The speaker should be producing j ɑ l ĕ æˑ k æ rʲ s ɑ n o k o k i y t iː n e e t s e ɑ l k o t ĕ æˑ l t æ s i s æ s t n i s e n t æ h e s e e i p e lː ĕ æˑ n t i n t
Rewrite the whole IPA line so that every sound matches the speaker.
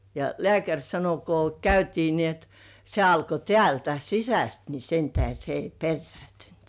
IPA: j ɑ l ĕ æˑ k æ rʲ s ɑ n o k o k æ y t iː n i e t s e ɑ l k o t ĕ æˑ l t æ s i s æ s t n i s e n t æ h e s e e i p e rː ĕ æˑ n t y n t